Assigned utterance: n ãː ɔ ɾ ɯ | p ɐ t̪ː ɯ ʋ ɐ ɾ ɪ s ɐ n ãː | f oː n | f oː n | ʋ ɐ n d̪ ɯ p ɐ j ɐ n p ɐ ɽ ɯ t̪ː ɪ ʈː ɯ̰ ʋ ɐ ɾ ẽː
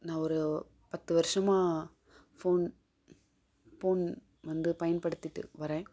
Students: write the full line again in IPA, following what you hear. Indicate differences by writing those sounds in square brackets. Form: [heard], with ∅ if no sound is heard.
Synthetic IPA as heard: n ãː ɔ ɾ ɯ | p ɐ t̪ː ɯ ʋ ɐ ɾ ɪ [ʂ] ɐ [m] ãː | f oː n | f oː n | ʋ ɐ n d̪ ɯ p ɐ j ɐ n p ɐ ɽ ɯ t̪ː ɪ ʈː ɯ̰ ʋ ɐ ɾ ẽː